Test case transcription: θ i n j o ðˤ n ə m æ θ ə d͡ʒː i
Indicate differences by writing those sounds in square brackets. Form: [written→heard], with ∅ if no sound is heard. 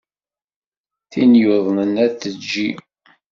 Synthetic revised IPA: θ i n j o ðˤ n ə [m→n] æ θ ə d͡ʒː i